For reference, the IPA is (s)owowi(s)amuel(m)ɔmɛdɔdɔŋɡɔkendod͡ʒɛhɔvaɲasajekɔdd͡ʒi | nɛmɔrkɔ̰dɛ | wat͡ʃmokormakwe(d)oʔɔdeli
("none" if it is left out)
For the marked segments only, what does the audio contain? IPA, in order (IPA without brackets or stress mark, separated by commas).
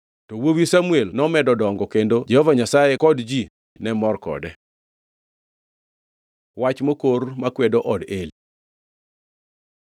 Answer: t, s, n, d